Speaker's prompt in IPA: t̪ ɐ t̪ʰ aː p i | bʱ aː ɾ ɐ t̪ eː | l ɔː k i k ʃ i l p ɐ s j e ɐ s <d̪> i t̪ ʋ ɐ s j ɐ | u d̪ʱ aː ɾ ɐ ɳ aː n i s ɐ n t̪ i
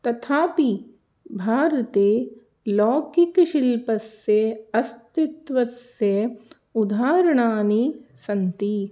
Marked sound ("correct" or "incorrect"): incorrect